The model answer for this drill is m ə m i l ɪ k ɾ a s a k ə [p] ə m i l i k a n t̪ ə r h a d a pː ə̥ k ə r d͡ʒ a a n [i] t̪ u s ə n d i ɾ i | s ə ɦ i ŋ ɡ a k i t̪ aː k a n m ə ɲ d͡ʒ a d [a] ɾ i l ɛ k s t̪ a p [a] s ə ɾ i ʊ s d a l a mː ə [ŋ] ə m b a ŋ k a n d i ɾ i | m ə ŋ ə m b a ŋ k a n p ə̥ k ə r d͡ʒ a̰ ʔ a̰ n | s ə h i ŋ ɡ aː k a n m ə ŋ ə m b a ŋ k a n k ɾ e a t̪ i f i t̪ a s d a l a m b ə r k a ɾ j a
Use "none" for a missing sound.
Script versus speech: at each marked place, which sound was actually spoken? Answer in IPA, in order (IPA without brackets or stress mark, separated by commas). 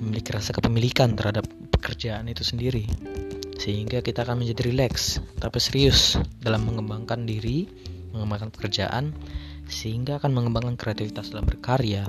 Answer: p, i, i, i, ŋ